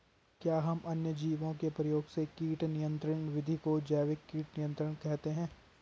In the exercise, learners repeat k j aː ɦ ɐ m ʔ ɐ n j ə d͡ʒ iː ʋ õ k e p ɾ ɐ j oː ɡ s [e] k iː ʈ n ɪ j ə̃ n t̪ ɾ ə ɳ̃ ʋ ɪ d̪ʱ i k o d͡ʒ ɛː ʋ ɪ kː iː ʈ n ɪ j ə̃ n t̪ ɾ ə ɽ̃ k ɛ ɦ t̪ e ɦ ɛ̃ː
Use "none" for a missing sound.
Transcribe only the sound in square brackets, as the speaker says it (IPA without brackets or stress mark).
e